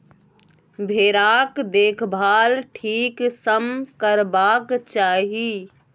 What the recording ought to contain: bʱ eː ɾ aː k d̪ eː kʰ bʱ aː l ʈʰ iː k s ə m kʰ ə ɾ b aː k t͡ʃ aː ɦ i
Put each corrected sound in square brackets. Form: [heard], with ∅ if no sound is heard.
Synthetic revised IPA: bʱ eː ɾ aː k d̪ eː kʰ bʱ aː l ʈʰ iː k s ə m [k] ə ɾ b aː k t͡ʃ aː ɦ i